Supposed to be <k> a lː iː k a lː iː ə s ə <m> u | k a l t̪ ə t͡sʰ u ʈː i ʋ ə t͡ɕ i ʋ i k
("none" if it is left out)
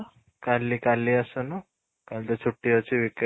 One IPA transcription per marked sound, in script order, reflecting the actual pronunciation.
k, n

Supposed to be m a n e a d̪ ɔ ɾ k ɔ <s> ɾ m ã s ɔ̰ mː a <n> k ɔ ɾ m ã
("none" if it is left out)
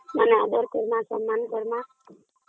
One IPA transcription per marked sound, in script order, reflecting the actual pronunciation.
none, n

